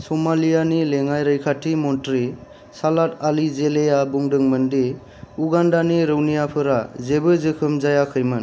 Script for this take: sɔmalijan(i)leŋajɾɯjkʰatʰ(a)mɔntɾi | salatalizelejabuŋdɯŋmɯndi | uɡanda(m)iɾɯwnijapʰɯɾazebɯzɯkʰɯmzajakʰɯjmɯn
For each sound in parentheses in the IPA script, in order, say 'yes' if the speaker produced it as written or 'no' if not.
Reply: yes, no, no

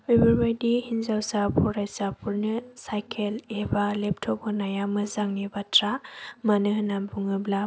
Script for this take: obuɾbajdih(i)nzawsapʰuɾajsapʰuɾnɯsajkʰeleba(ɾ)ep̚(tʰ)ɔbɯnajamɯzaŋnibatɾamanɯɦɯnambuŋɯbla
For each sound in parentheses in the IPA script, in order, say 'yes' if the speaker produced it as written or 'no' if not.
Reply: yes, no, yes

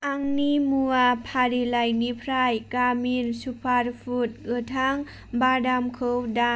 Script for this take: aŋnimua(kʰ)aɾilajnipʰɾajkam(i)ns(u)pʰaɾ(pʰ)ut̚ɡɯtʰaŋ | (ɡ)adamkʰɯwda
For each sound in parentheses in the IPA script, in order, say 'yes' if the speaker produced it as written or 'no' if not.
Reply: no, yes, yes, yes, no

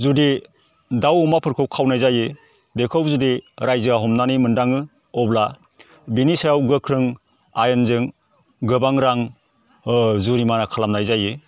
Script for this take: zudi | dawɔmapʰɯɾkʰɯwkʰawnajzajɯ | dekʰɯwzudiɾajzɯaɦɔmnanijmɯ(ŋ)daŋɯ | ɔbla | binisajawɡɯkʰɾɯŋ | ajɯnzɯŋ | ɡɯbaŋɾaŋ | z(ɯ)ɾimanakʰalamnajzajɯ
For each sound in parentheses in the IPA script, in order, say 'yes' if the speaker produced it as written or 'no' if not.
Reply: no, no

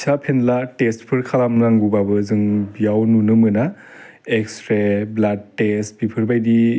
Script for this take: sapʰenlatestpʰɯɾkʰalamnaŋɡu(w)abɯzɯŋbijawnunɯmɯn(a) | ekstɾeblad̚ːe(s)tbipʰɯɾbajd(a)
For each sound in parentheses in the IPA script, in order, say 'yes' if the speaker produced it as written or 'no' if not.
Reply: no, yes, yes, no

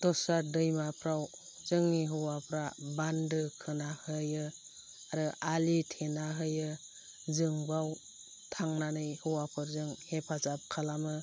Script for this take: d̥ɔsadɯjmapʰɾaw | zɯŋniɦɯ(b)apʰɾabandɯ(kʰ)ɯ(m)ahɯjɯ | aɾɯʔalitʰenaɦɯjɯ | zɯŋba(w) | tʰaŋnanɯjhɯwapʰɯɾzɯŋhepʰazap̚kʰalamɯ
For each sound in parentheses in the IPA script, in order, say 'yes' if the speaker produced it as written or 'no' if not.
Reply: no, yes, no, yes

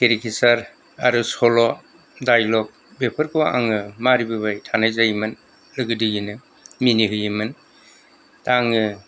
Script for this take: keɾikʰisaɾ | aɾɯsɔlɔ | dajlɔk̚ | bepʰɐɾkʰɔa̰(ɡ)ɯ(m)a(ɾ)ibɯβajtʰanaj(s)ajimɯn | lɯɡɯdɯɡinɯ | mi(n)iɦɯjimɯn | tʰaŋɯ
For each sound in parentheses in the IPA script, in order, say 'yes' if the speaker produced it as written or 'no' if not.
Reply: no, yes, yes, no, yes

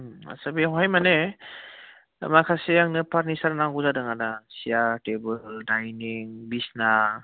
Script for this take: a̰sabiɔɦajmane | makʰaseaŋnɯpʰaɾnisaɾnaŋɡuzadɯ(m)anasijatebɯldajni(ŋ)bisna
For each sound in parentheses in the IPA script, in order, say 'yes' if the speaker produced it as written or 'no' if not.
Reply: no, yes

